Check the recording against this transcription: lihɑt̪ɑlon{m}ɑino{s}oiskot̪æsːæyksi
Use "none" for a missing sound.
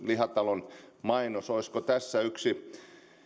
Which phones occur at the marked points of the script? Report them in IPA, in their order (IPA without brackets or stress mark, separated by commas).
m, s